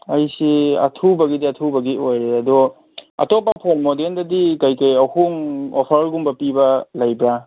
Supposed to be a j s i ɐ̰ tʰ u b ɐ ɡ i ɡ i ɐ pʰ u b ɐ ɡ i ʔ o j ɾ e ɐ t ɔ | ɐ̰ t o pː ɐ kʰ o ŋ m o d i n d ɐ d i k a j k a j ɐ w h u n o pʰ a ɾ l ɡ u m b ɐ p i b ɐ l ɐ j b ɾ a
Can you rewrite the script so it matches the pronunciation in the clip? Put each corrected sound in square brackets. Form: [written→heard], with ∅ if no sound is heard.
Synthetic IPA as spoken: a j s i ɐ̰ tʰ u b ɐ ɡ i [ɡ→d] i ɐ [pʰ→tʰ] u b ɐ ɡ i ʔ o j ɾ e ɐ [t→d] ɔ | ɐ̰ t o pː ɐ [kʰ→pʰ] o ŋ m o d [i→e] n d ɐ d i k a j k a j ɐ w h u [n→ŋ] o pʰ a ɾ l ɡ u m b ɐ p i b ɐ l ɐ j b ɾ a

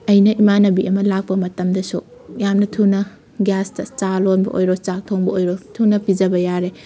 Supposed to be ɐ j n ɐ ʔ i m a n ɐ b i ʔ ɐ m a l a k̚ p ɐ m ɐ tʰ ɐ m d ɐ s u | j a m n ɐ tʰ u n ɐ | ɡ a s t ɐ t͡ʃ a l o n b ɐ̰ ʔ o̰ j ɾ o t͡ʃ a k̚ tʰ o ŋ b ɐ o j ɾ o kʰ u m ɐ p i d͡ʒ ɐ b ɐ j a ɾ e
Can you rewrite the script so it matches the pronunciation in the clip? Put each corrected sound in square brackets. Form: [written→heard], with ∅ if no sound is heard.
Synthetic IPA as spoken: ɐ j n ɐ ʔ i m a n ɐ b i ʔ ɐ m [a→ɐ] l a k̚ p ɐ m ɐ [tʰ→t] ɐ m d ɐ s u | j a m n ɐ tʰ u n ɐ | ɡ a s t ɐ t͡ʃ a l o n b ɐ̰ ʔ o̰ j ɾ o t͡ʃ a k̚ tʰ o ŋ b ɐ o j ɾ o [kʰ→tʰ] u [m→n] ɐ p i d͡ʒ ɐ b ɐ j a ɾ e

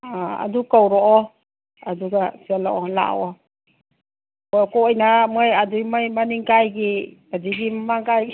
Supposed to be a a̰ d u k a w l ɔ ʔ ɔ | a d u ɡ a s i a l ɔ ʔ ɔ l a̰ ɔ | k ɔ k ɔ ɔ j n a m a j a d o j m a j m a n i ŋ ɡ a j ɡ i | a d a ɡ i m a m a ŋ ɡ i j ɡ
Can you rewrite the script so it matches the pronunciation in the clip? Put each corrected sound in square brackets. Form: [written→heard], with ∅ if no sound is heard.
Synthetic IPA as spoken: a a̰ d u k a w [l→ɾ] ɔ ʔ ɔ | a d u ɡ a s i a l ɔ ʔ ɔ l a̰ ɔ | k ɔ k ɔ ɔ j n a m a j a d [o→u] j m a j m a n i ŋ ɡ a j ɡ i | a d [a→i] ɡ i m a m a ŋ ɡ [i→a] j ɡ

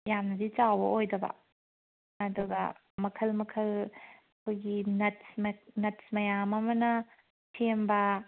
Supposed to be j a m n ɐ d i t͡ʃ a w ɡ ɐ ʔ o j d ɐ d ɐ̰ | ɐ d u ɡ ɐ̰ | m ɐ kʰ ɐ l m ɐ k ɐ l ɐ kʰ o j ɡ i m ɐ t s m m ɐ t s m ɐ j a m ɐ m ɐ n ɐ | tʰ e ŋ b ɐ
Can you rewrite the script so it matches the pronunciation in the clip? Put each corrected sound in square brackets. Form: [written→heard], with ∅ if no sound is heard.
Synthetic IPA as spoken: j a m n ɐ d i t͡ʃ a w [ɡ→b] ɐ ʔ o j d ɐ [d→b] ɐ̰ | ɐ d u ɡ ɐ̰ | m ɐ kʰ ɐ l m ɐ [k→kʰ] ɐ l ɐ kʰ o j ɡ i [m→n] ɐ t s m [m→n] ɐ t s m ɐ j a m ɐ m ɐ n ɐ | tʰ e [ŋ→m] b ɐ

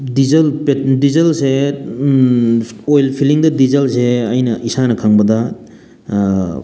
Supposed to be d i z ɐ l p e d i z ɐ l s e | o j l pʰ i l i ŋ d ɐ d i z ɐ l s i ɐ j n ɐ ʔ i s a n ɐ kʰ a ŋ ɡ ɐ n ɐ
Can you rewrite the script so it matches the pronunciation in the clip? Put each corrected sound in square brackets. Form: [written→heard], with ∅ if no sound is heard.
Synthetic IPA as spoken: d i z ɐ l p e d i z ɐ l s e | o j l pʰ i l i ŋ d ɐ d i z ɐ l s [i→e] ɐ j n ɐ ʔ i s a n ɐ kʰ a ŋ [ɡ→b] ɐ [n→d] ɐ

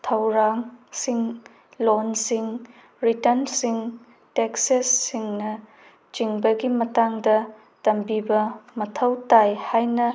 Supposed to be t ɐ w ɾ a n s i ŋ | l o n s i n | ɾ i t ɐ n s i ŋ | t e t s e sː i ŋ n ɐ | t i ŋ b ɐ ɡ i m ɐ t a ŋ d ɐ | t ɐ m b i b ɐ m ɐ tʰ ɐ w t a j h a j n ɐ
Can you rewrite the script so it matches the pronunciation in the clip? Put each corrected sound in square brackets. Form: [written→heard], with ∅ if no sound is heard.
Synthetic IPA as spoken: [t→tʰ] ɐ w ɾ a [n→ŋ] s i ŋ | l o n s i [n→ŋ] | ɾ i t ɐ n s i ŋ | t e [t→k] s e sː i ŋ n ɐ | [t→t͡ʃ] i ŋ b ɐ ɡ i m ɐ t a ŋ d ɐ | t ɐ m b i b ɐ m ɐ tʰ ɐ w t a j h a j n ɐ

